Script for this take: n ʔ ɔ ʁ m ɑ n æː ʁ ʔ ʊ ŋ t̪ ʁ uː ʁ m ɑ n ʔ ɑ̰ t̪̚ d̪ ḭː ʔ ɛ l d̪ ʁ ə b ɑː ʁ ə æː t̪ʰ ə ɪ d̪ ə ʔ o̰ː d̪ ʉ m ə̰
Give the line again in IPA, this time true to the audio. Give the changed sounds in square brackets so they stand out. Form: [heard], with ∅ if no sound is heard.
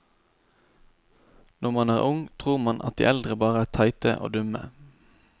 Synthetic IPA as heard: n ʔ ɔ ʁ m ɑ n æː ʁ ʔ ʊ ŋ [t̪ʰ] ʁ uː ʁ m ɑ n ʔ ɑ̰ t̪̚ d̪ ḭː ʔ ɛ l d̪ ʁ ə b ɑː ʁ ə æː t̪ʰ [ɑ] ɪ [t̪] ə ʔ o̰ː d̪ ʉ m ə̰